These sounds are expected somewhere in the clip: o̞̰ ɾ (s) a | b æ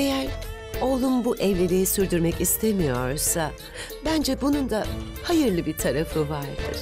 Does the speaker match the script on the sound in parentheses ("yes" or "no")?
yes